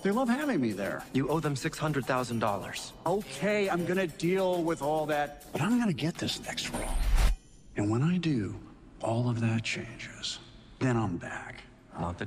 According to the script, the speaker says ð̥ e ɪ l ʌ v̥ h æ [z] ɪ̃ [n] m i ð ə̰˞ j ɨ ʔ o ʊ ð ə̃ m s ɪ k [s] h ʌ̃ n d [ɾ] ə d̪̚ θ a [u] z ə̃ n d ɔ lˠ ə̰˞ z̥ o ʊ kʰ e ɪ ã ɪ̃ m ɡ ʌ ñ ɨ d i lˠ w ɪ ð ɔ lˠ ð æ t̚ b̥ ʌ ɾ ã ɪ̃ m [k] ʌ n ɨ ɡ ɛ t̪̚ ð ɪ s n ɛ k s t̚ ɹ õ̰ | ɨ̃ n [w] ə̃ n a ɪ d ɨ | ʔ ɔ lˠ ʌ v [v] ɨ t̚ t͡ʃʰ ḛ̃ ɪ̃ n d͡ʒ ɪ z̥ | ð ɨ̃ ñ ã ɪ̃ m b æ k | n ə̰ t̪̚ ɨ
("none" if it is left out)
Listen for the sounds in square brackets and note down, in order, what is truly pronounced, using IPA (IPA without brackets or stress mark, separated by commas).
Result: v, ŋ, s, ɹ, ʊ, ɡ, w, ð